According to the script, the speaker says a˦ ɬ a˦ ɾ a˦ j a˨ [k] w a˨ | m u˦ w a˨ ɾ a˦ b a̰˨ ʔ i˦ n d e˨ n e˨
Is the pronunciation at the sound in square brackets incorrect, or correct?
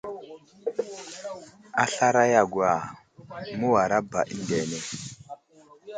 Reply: incorrect